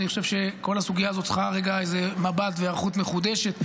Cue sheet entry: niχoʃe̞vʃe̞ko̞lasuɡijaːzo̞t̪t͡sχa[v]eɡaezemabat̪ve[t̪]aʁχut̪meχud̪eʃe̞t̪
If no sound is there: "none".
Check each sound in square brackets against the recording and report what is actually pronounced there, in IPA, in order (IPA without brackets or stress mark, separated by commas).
ʁ, none